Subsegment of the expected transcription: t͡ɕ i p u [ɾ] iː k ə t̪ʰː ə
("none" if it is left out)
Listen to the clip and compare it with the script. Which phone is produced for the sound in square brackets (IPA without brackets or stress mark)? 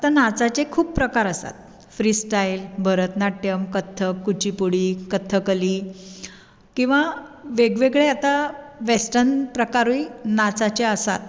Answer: ɽ